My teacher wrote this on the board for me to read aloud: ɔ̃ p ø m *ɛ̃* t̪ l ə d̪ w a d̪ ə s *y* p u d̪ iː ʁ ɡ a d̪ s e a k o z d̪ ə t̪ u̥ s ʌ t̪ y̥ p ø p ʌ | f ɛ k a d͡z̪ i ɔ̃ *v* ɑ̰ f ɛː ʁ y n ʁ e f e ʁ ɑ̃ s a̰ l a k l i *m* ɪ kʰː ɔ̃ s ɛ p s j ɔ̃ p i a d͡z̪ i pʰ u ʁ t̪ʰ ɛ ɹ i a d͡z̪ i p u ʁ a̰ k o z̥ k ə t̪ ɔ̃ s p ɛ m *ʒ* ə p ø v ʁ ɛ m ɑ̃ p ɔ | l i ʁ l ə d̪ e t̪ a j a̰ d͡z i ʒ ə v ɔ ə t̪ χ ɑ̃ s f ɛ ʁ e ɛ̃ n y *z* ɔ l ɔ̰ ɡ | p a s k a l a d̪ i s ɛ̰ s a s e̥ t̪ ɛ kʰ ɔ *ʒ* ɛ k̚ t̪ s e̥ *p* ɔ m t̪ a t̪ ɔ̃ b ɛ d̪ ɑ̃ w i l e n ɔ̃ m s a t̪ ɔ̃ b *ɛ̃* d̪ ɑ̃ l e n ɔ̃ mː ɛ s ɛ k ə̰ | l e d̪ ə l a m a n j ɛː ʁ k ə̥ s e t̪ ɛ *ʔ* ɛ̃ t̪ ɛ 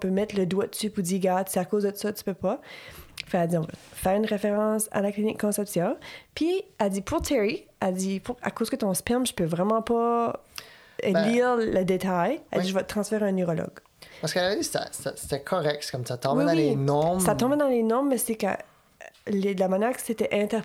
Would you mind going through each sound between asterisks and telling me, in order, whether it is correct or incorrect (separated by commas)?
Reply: incorrect, correct, correct, incorrect, correct, incorrect, incorrect, incorrect, incorrect, correct